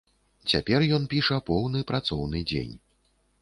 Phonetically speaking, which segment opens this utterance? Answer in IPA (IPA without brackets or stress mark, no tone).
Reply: t͡sʲ